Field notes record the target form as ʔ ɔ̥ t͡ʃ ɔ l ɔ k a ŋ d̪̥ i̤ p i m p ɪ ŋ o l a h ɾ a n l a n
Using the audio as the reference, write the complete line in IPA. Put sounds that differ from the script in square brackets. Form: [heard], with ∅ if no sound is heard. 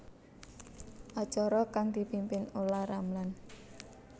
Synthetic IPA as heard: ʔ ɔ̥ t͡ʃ ɔ [ɾ] ɔ k a ŋ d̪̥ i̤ p i m p ɪ [n] o l a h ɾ a [m] l a n